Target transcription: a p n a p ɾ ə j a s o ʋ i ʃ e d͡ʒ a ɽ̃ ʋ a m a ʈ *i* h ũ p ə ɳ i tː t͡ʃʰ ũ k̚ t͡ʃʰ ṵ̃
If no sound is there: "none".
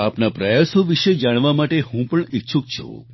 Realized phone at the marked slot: e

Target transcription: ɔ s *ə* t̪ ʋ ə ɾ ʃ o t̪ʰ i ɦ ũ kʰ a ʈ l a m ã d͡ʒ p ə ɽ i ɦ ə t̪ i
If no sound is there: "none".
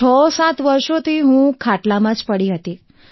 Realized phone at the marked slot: a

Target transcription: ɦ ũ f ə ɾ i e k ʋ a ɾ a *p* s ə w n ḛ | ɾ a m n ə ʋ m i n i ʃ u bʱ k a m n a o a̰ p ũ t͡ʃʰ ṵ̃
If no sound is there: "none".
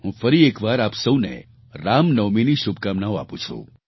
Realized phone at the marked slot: p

